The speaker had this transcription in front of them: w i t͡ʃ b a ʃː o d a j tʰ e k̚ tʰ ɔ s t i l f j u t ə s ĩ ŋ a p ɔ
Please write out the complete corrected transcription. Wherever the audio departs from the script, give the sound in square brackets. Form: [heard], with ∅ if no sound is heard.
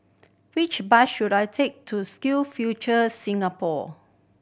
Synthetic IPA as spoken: w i t͡ʃ b a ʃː [u] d a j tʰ e k̚ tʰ [u] s [k] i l f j u [t͡ʃ] ə s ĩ ŋ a p ɔ